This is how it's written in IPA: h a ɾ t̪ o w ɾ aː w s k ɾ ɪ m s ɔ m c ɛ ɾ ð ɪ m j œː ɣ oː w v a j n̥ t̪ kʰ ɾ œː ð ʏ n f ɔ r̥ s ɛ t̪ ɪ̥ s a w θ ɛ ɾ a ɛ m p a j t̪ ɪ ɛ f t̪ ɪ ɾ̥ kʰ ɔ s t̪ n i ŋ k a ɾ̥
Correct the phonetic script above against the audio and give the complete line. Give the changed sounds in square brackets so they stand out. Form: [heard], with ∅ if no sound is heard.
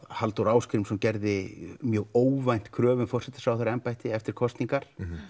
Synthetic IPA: h a [l] t̪ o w ɾ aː w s k ɾ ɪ m s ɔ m c ɛ ɾ ð ɪ m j œː ɣ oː w v a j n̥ t̪ kʰ ɾ œː [v] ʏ n f ɔ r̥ s ɛ t̪ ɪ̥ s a w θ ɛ ɾ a ɛ m p a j t̪ ɪ ɛ f t̪ ɪ ɾ̥ kʰ ɔ s t̪ n i ŋ k a ɾ̥